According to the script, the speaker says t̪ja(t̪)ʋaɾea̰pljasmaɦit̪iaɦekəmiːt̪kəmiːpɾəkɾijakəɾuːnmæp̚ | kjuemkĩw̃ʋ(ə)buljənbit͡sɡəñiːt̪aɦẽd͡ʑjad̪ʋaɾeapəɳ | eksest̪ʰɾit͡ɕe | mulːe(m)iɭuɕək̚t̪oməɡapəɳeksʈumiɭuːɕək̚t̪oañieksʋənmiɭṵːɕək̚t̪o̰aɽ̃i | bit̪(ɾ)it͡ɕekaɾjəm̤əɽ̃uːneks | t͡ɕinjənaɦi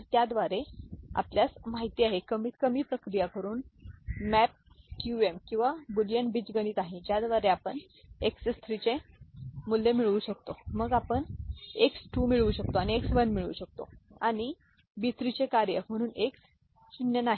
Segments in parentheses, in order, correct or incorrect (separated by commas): incorrect, incorrect, correct, correct